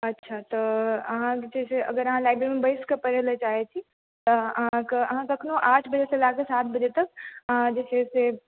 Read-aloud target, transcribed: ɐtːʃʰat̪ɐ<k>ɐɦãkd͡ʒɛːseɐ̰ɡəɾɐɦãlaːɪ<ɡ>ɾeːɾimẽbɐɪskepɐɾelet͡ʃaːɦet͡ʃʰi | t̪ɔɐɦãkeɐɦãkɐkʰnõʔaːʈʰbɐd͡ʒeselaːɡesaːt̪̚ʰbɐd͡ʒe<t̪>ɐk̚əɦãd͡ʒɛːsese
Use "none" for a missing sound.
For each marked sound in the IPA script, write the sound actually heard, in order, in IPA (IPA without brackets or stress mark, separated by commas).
none, b, t̪